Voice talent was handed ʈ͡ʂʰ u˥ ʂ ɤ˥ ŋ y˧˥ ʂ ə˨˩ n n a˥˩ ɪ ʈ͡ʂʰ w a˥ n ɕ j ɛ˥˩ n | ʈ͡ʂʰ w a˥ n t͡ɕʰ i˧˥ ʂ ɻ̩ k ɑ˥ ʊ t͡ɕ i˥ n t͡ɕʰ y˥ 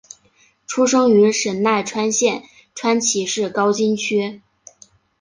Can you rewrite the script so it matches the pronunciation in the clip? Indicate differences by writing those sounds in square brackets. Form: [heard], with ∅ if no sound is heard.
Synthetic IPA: ʈ͡ʂʰ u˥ ʂ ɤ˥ ŋ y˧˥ ʂ ə˨˩ n n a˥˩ ɪ ʈ͡ʂʰ w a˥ n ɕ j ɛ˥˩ n | ʈ͡ʂʰ w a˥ n t͡ɕʰ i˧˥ ʂ ɻ̩ k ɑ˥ ʊ t͡ɕ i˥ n t͡ɕʰ y˥